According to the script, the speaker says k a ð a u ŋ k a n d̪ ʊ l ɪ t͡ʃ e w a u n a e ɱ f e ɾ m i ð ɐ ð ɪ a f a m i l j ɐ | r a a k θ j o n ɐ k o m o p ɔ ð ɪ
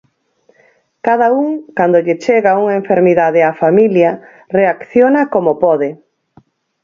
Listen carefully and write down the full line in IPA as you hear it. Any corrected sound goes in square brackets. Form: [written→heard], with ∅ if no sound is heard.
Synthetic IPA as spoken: k a ð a u ŋ k a n d̪ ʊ [l→ʎ] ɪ t͡ʃ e [w→ɣ] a u [n→ŋ] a e ɱ f e ɾ m i ð [ɐ→a] ð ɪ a f a m i l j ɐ | r [a→e] a k θ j o n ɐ k o m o p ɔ ð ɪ